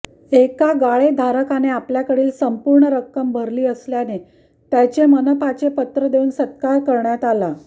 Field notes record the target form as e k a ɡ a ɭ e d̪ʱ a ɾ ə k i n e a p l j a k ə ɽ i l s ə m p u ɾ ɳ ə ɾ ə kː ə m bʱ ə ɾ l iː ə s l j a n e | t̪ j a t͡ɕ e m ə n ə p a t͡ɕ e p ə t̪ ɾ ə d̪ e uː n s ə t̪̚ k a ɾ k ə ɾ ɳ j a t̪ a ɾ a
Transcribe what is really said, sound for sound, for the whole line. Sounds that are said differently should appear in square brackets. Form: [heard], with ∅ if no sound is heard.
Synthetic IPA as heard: e k a ɡ a ɭ e d̪ʱ a ɾ ə k [a] n e a p l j a k ə ɽ [iː] l s ə m p u ɾ ɳ ə ɾ ə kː ə m bʱ ə ɾ l iː ə s l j a n e | t̪ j a t͡ɕ e m ə n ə p a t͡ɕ e p ə t̪ ɾ ə d̪ e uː n s ə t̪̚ k a ɾ k ə ɾ ɳ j a t̪ a [l] a